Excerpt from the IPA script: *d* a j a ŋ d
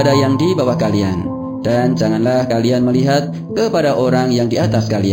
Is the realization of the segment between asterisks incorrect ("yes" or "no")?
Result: no